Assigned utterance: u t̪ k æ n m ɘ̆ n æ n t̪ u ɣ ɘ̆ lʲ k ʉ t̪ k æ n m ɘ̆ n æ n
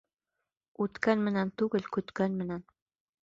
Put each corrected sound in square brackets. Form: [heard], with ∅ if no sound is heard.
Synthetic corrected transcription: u t̪ k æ n m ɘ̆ n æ n t̪ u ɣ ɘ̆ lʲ k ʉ t̪ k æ n m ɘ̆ n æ n